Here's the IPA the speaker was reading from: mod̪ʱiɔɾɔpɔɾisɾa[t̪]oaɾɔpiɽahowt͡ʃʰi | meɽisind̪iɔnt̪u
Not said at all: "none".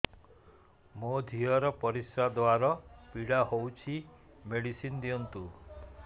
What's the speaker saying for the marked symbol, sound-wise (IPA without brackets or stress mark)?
d̪